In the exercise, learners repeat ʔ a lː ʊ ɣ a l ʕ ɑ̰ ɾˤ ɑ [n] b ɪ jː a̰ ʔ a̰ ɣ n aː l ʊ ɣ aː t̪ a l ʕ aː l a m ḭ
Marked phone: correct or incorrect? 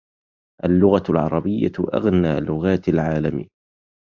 incorrect: none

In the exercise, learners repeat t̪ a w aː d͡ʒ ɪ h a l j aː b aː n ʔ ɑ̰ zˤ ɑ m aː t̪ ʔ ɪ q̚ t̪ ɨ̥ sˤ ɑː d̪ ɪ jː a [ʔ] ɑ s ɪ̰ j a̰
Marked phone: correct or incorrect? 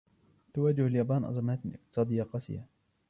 incorrect: q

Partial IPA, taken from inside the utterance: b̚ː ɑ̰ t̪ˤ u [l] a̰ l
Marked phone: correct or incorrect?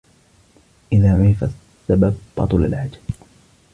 correct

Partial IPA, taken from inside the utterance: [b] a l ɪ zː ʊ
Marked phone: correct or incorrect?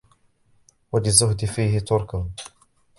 incorrect: w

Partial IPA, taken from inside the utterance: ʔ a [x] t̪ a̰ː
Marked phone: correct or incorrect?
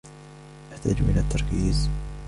incorrect: ħ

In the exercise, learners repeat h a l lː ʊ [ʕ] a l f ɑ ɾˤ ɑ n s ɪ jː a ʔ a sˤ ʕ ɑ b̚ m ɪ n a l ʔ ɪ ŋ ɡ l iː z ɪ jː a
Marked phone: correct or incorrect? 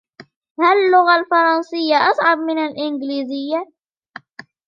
incorrect: ɣ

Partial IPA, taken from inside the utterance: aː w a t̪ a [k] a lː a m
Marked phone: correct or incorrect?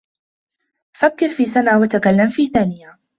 correct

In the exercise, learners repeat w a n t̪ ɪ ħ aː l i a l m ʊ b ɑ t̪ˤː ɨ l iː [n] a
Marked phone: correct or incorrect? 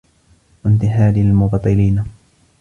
correct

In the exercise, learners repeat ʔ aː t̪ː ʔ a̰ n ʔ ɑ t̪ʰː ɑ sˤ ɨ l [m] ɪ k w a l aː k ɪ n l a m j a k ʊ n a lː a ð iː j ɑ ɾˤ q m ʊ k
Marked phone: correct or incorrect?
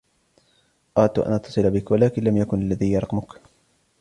incorrect: b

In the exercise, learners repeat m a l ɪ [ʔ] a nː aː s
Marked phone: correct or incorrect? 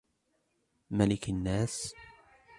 incorrect: k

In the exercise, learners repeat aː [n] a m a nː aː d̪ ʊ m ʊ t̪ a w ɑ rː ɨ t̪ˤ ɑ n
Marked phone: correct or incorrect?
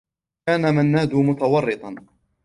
correct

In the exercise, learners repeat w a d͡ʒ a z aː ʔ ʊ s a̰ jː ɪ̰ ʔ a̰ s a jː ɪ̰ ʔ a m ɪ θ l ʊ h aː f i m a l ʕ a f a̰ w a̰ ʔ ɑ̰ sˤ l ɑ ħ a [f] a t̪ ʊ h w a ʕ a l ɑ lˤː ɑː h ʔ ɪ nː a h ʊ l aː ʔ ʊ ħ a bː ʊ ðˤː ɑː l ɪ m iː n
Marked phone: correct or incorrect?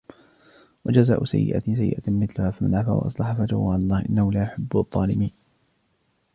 correct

